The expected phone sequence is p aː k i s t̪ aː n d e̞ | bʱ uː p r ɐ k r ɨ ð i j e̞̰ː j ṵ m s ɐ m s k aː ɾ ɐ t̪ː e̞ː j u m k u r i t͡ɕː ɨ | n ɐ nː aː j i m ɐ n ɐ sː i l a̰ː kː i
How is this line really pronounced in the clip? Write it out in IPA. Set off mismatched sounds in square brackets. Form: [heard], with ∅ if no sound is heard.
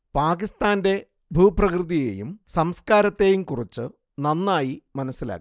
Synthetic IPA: p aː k i s t̪ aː n d e̞ | bʱ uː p r ɐ k r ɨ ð i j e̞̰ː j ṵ m s ɐ m s k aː ɾ ɐ t̪ː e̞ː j u m k u r i t͡ɕː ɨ | n ɐ nː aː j i m ɐ n ɐ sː i l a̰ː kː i